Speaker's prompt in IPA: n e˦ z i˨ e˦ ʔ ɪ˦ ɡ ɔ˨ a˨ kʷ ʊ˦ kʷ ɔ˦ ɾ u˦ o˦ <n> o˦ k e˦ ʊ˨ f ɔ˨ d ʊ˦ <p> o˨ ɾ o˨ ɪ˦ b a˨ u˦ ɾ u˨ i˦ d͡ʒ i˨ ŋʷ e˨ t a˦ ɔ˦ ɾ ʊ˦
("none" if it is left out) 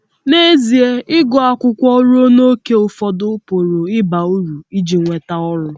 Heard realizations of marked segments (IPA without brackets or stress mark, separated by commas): n, p